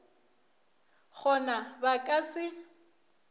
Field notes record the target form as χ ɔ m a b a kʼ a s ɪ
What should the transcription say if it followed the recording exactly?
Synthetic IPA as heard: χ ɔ n a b a kʼ a s ɪ

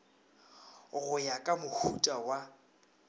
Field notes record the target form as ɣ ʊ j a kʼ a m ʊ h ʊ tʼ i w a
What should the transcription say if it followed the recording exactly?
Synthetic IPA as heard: ɣ ʊ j a kʼ a m ʊ h u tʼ a w a

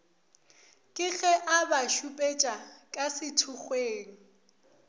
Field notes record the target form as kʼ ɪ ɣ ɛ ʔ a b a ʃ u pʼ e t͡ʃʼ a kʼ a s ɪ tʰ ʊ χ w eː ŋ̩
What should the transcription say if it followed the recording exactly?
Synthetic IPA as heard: kʼ ɪ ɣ ɛ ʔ a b a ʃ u pʼ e t͡ʃʼ a kʼ a s ɪ tʰ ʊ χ w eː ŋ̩

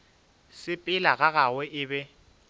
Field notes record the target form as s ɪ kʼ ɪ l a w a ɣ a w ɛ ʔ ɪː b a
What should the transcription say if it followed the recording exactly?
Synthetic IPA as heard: s ɪ pʼ ɪ l a ɣ a ɣ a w ɛ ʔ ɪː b ɛ

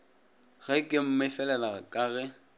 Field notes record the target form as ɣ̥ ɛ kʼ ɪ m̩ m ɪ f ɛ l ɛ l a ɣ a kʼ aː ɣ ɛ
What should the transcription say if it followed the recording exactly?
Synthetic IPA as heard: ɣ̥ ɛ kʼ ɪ m̩ m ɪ f ɛ l ɛ l a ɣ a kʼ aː ɣ ɛ

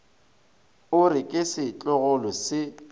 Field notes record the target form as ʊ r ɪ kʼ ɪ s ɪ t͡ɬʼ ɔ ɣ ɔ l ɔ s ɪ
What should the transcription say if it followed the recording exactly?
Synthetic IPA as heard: ʊ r ɪ kʼ ɪ s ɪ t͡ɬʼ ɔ ɣ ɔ l ɔ s ɪ

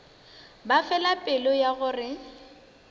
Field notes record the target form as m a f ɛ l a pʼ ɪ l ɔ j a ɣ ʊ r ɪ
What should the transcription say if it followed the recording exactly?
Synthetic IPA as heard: b a f ɛ l a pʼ ɪ l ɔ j a ɣ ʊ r ɪ

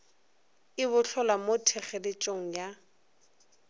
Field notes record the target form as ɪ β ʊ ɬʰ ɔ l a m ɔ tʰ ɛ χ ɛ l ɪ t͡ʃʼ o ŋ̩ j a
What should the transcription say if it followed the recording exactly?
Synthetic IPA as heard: ɪ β ʊ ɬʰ ɔ l a m o tʰ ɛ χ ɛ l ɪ t͡ʃʼ o ŋ̩ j a

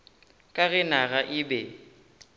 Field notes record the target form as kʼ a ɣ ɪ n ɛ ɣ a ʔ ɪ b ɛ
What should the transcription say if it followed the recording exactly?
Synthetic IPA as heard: kʼ a ɣ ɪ n a ɣ a ʔ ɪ b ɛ

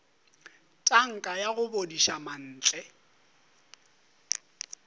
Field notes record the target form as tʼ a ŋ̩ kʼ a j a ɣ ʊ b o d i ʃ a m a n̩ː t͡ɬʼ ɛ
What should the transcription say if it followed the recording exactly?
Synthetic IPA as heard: tʼ a ŋ̩ kʼ a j a ɣ ʊ b o d i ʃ a m a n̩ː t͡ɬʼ ɛ

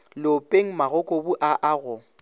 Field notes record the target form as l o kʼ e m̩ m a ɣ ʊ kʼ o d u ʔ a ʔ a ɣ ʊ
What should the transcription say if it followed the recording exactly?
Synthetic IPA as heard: l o pʼ e ŋ̩ m a ɣ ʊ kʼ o b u ʔ a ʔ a ɣ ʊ

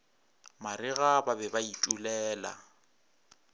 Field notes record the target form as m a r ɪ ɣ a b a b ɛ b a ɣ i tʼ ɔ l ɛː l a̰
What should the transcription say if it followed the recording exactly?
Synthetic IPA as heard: m a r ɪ ɣ a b a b ɛ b a i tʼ u l ɛː l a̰

